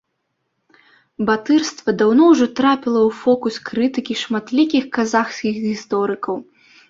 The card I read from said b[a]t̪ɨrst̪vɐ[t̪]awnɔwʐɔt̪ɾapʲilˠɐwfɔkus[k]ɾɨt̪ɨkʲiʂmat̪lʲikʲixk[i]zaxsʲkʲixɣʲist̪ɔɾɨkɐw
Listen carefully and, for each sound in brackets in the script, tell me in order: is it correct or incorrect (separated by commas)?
correct, incorrect, correct, incorrect